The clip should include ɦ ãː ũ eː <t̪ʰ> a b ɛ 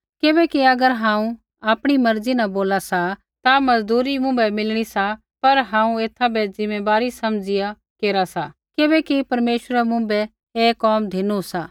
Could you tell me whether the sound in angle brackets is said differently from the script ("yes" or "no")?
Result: no